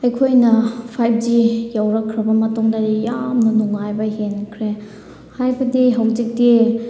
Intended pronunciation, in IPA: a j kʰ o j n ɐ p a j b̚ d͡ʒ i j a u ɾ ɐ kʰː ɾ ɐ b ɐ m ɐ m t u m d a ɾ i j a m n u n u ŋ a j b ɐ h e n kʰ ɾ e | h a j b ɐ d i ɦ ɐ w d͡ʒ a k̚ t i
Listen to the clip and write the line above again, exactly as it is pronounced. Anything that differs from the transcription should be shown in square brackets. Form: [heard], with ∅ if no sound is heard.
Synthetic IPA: [ɐ] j kʰ o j n ɐ [pʰ] a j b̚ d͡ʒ i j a [w] ɾ ɐ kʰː ɾ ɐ b ɐ m ɐ [∅] t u [ŋ] d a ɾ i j a m n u n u ŋ a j b ɐ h e n kʰ ɾ e | h a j b ɐ d i ɦ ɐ w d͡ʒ [i] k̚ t i